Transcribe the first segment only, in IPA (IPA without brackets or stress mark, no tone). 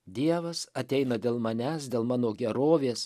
d̪ʲ